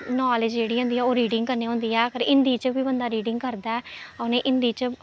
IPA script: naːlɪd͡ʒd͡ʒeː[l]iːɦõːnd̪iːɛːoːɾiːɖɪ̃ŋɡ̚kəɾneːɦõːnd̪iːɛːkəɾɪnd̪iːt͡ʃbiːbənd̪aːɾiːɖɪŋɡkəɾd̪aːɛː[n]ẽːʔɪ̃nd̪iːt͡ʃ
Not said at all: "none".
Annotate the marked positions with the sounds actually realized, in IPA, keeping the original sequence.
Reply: ɽ, n

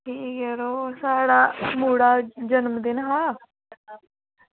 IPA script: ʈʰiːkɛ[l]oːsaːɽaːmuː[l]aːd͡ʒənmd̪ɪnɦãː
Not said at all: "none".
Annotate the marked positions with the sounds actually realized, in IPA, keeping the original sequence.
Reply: ɾ, ɽ

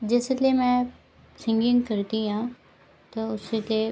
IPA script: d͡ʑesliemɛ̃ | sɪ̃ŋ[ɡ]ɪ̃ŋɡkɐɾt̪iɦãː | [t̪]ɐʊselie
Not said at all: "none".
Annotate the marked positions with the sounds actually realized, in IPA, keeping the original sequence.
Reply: ɡ, t̪

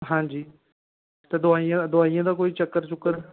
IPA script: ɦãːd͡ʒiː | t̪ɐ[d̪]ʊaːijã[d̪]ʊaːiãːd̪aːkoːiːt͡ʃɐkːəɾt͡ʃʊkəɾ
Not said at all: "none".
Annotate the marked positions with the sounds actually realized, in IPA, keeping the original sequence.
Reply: d̪, d̪

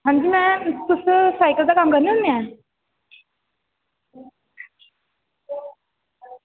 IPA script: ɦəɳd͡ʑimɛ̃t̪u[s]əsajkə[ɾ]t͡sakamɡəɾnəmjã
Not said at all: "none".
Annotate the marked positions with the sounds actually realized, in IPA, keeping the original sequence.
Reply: s, l

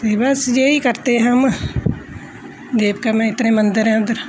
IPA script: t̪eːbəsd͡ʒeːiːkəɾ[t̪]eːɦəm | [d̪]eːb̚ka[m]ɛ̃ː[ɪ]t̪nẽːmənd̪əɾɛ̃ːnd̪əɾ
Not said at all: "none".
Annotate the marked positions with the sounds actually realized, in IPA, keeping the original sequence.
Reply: t̪, d̪, m, ɪ

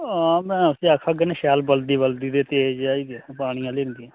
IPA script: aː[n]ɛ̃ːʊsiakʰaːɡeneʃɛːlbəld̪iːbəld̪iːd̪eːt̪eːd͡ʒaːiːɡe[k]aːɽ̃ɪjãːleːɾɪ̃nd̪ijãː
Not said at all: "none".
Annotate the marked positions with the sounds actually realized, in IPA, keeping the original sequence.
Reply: m, p

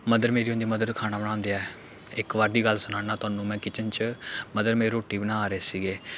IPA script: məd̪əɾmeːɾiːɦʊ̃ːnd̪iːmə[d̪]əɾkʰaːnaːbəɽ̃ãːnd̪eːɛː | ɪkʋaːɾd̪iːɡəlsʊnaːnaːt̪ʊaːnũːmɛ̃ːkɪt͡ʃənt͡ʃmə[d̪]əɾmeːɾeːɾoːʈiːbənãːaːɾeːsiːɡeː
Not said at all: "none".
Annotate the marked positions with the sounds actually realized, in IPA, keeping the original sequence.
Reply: d̪, d̪

